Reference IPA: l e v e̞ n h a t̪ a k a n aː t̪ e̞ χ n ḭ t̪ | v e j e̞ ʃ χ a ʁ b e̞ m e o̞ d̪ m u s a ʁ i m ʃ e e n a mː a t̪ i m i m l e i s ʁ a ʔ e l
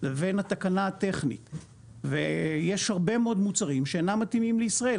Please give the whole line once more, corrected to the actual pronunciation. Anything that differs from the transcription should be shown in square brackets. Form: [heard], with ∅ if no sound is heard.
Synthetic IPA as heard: l e v e̞ n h a t̪ a k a n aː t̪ e̞ χ n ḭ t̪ | v e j e̞ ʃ [h] a ʁ b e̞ m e o̞ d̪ m u [t͡s] a ʁ i m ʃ e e n a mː a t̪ i m i m l e i s ʁ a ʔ e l